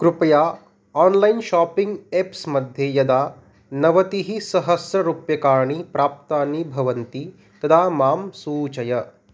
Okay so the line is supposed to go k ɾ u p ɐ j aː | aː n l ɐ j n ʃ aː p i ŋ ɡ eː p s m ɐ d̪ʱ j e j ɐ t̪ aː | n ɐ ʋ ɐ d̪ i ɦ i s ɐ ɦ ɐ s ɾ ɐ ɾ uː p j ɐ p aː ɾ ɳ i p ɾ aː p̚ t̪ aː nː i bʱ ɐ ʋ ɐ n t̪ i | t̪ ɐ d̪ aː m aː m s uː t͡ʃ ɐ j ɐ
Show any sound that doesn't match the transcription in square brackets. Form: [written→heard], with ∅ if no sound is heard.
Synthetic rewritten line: k ɾ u p ɐ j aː | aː n l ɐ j n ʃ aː p i ŋ ɡ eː p s m ɐ d̪ʱ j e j ɐ [t̪→d̪] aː | n ɐ ʋ ɐ [d̪→t̪] i ɦ i s ɐ ɦ ɐ s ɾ ɐ ɾ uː p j ɐ [p→k] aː ɾ ɳ i p ɾ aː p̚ t̪ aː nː i bʱ ɐ ʋ ɐ n t̪ i | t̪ ɐ d̪ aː m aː m s uː t͡ʃ ɐ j ɐ